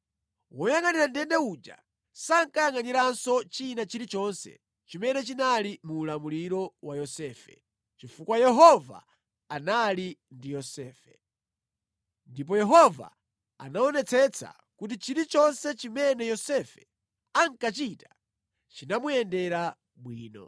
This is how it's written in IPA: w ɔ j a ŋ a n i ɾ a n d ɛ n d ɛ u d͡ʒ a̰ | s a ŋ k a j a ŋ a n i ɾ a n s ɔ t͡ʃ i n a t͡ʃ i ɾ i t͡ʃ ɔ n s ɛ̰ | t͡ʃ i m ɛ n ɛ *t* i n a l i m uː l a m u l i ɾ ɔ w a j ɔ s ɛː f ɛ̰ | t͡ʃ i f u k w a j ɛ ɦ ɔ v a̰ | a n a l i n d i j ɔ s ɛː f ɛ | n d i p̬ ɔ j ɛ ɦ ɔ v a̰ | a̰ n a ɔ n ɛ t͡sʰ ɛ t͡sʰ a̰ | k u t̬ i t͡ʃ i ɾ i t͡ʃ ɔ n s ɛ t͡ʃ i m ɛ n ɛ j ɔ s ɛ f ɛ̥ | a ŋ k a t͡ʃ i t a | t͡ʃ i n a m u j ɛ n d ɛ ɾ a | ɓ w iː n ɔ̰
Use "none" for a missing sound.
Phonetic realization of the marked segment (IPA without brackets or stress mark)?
t͡ʃ